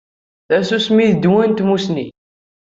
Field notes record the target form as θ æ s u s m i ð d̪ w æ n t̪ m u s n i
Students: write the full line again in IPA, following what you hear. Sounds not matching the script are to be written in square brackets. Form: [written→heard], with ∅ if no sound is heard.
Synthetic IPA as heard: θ æ s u s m i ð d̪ w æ n t̪ m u s n i